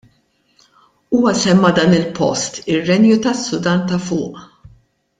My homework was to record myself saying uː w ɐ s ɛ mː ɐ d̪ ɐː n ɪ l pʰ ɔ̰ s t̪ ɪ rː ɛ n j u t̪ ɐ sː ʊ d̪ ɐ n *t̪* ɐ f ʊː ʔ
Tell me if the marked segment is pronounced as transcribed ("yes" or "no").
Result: yes